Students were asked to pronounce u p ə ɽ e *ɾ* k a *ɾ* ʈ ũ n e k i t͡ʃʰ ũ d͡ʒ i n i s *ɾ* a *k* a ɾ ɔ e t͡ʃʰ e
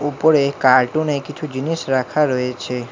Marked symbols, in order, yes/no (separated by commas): no, yes, yes, no